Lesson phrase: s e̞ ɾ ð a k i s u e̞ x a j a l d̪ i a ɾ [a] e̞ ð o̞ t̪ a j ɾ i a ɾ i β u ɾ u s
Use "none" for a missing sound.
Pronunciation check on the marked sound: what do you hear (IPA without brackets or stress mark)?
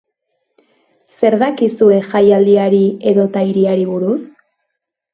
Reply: i